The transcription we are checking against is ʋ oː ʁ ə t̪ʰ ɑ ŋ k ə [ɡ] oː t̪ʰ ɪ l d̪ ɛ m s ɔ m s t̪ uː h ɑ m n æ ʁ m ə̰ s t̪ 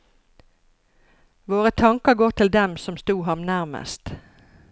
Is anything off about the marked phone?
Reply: no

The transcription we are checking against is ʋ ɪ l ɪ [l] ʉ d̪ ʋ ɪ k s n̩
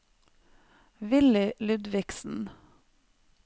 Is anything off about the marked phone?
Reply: no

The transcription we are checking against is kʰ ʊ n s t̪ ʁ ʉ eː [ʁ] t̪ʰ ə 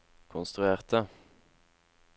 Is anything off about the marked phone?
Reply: no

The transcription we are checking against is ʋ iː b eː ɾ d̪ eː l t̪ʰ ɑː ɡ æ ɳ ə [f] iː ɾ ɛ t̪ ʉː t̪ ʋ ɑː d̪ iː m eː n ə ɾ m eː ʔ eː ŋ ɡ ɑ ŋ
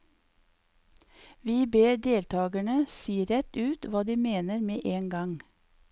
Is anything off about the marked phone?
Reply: yes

